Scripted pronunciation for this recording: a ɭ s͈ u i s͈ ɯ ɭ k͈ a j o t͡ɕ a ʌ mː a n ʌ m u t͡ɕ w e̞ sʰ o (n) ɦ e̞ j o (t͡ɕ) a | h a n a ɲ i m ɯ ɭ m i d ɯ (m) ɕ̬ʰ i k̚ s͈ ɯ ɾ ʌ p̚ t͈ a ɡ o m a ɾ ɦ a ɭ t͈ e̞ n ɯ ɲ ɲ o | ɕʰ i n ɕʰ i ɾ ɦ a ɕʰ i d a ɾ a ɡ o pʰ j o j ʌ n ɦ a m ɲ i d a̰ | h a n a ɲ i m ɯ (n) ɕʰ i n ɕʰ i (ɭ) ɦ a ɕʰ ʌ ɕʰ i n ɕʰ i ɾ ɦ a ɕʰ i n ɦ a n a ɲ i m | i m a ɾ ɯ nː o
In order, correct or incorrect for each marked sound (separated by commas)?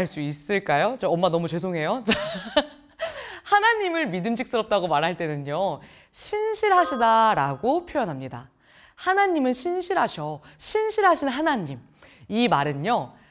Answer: incorrect, correct, correct, correct, incorrect